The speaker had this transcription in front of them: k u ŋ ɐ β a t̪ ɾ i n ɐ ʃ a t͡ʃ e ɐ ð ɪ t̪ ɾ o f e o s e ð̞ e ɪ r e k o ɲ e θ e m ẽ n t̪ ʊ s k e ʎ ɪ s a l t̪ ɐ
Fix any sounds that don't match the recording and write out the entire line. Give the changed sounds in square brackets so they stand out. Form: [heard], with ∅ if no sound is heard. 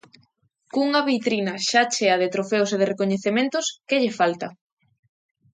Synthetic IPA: k u ŋ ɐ β [i] t̪ ɾ i n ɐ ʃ a t͡ʃ e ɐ ð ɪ t̪ ɾ o f e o s e ð̞ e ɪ r e k o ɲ e θ e m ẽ n t̪ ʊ s k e ʎ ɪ [f] a l t̪ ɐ